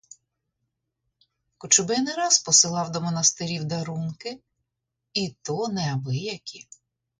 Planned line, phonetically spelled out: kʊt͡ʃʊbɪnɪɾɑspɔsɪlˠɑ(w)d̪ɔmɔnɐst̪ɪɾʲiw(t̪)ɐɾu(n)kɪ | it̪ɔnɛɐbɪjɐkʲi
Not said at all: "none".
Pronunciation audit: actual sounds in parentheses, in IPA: w, d̪, n

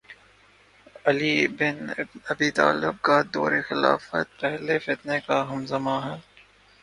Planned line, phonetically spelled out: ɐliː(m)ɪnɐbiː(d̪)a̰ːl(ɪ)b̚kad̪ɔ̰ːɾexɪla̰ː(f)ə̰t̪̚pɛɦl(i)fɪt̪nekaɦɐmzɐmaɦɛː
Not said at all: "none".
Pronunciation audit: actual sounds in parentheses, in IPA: b, t̪, ɪ, f, e

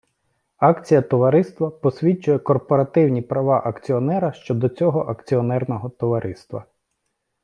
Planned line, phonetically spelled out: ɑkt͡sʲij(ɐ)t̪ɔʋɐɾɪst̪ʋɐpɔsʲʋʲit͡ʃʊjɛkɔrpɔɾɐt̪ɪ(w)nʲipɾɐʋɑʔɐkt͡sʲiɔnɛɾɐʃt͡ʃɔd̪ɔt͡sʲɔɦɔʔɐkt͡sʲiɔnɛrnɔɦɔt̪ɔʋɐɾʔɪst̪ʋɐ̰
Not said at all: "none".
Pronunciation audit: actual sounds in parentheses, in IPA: ɐ, w

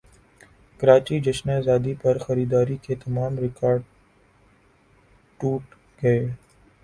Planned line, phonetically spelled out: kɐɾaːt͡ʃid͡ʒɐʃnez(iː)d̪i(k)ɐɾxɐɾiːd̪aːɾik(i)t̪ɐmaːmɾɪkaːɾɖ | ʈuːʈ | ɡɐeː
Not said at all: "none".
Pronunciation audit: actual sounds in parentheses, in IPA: aː, p, e

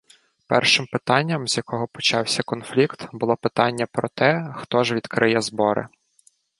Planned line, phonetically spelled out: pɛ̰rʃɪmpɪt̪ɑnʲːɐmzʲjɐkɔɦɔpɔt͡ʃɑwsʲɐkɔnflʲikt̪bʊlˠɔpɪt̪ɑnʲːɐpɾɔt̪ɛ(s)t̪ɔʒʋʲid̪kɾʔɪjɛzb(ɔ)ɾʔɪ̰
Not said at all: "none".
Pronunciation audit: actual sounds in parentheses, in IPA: x, ɔ

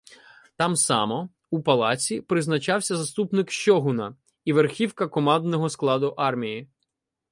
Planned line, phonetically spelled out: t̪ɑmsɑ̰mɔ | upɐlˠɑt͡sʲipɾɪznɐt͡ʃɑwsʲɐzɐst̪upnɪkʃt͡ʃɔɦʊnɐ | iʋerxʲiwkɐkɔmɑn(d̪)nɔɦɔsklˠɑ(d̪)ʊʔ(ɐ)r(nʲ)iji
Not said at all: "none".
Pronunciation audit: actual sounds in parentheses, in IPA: d̪, d̪, ɑ, mʲ

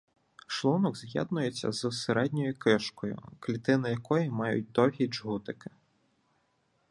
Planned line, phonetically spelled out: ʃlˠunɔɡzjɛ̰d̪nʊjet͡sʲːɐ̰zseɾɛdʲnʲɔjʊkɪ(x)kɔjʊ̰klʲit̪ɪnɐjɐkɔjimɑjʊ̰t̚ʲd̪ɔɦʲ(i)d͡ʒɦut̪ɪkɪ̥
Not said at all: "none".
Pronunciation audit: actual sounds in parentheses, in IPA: ʃ, i

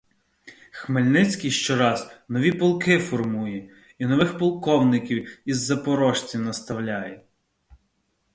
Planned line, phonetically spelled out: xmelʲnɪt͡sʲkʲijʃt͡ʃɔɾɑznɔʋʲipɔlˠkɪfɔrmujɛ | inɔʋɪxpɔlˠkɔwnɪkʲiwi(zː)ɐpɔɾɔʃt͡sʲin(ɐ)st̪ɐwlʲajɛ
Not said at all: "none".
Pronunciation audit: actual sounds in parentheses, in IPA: zː, ɐ

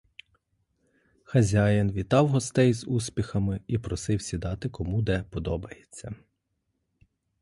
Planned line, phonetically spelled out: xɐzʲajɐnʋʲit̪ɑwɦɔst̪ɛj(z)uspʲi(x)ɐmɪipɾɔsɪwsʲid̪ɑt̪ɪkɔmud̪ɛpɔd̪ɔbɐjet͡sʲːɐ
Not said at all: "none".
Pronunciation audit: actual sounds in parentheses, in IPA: z, x

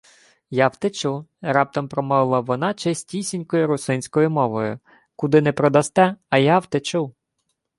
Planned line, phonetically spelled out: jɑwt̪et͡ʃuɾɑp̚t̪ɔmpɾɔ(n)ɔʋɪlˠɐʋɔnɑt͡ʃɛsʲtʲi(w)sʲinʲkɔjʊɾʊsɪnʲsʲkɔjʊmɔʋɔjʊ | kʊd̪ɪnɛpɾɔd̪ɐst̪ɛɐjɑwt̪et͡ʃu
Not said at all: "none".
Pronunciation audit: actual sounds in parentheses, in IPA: m, none

